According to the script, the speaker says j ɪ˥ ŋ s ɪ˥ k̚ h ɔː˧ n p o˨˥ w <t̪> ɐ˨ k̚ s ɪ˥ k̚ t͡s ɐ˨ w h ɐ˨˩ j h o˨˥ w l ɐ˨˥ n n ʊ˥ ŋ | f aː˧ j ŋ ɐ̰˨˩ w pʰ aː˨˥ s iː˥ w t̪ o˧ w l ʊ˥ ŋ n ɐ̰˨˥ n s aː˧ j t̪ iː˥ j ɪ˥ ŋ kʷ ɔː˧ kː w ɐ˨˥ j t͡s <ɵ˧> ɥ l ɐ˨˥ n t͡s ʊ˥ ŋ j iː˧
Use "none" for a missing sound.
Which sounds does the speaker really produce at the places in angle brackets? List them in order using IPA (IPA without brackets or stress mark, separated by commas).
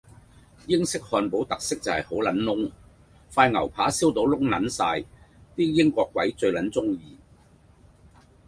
t̪, ɵ˧